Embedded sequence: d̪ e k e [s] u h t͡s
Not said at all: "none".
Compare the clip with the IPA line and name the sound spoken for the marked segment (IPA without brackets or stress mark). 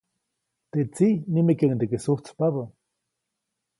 s